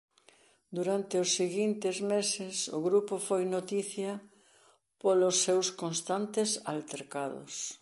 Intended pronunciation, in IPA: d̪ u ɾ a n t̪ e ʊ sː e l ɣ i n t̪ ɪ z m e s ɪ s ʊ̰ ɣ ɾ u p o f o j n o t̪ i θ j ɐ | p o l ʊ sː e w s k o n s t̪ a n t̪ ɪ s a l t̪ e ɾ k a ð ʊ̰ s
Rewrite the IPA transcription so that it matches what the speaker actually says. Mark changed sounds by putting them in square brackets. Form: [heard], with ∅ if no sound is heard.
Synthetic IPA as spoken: d̪ u ɾ a n t̪ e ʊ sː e [∅] ɣ i n t̪ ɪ z m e s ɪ s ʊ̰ ɣ ɾ u p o f o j n o t̪ i θ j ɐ | p o l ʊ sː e w s k o n s t̪ a n t̪ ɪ s a l t̪ e ɾ k a ð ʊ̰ s